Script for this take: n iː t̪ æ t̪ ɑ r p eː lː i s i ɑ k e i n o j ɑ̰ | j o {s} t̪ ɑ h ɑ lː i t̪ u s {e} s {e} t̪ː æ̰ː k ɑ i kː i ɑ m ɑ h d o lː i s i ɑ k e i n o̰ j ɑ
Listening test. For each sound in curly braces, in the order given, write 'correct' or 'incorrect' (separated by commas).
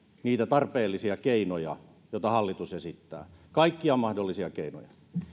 incorrect, correct, incorrect